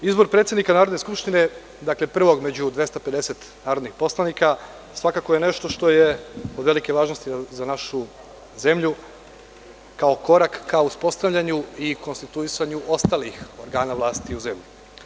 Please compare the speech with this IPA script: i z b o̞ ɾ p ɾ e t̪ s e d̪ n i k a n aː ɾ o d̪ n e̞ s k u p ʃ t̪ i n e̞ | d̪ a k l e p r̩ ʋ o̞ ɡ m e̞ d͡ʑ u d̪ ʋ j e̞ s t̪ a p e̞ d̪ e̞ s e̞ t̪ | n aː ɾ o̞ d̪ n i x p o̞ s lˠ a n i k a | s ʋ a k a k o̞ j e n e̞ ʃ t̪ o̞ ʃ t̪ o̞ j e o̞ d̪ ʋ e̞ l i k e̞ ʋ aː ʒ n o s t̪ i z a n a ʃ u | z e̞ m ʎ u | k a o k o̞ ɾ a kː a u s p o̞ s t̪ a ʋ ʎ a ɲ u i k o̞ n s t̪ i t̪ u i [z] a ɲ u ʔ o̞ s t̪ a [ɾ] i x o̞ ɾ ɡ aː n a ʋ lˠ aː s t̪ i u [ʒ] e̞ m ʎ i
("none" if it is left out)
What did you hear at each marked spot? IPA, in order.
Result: s, l, z

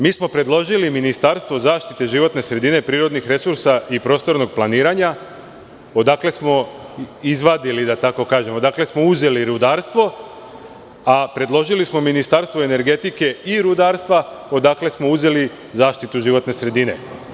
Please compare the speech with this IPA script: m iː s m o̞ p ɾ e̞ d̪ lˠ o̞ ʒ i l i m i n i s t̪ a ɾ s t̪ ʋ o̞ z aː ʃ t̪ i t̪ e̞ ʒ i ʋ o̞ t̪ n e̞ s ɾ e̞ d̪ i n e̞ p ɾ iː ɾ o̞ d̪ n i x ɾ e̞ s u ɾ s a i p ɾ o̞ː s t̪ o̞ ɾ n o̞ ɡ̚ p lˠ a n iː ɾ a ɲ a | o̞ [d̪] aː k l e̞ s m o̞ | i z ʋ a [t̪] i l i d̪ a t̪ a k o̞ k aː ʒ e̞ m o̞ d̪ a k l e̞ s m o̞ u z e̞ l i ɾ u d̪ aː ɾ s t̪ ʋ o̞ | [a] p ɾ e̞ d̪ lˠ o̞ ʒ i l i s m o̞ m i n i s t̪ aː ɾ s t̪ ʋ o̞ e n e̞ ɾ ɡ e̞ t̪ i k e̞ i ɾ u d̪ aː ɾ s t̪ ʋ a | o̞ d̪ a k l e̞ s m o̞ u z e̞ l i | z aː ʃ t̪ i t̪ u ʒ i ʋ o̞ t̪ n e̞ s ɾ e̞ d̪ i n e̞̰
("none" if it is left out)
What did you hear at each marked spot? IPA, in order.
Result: d̪, d̪, a

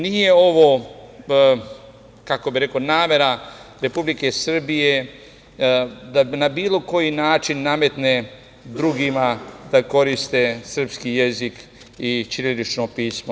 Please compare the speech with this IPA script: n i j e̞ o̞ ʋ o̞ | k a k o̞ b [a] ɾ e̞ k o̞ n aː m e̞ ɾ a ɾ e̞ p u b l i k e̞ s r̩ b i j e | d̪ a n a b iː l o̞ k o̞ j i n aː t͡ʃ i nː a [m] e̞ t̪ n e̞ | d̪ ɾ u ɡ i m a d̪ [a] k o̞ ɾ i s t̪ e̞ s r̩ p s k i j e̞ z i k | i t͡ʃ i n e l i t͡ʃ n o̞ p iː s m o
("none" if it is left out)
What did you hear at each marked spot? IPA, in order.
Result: i, m, a

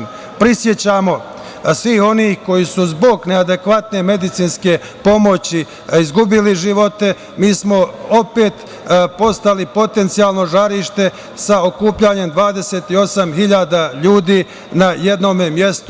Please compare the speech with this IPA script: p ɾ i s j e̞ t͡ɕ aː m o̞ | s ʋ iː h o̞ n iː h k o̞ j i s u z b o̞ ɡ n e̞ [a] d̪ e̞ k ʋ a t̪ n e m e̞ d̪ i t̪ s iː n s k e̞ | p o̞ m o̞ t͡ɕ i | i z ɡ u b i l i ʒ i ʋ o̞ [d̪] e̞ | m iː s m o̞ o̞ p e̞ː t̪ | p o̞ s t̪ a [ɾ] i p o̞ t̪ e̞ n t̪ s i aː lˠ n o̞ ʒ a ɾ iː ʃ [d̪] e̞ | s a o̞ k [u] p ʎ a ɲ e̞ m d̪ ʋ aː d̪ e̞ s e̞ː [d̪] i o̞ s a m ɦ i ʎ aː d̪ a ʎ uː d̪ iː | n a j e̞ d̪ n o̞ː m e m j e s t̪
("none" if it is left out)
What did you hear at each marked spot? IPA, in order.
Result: a, t̪, l, t̪, uː, t̪

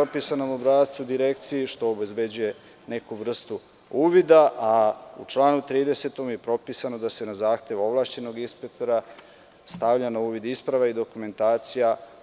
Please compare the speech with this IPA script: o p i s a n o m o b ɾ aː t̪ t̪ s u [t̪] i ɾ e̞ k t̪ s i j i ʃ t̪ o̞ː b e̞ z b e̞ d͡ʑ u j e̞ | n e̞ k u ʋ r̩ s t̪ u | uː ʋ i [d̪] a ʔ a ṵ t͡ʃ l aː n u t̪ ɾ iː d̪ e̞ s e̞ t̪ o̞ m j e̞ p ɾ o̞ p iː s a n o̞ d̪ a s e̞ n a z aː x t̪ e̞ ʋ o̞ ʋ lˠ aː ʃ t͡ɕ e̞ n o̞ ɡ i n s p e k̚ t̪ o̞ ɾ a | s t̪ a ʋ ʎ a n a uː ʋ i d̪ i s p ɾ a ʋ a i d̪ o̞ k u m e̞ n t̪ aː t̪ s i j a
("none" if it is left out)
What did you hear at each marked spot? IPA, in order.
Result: d̪, d̪

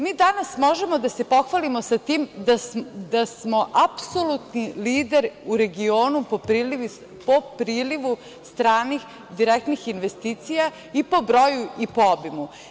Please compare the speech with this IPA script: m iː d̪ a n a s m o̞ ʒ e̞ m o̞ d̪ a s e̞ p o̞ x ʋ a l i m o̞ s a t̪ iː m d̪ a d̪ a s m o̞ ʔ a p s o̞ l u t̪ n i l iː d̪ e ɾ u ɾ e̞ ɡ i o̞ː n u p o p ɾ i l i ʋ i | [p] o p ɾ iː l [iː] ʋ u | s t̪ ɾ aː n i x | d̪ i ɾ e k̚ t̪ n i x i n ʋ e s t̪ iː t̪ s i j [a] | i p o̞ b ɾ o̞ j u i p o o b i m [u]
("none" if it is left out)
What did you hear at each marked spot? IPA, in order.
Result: p, i, a, u

